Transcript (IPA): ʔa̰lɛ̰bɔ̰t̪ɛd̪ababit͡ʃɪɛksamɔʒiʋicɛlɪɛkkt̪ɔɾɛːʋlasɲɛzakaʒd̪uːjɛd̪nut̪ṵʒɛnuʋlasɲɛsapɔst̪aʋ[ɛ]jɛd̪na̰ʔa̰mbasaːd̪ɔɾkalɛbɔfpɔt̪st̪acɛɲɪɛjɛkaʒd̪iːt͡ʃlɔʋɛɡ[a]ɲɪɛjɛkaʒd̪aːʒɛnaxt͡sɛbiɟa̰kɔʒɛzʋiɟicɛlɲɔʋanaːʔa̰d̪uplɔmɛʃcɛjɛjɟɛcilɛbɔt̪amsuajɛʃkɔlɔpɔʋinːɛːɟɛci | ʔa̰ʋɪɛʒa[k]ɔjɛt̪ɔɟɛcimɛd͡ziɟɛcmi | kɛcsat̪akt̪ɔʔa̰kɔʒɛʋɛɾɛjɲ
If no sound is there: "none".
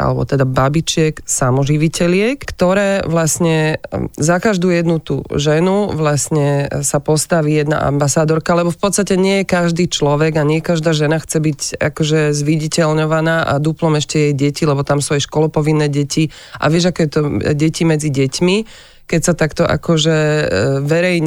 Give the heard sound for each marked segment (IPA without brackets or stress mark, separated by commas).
i, a, k